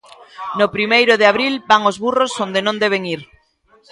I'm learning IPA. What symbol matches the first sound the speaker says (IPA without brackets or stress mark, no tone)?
n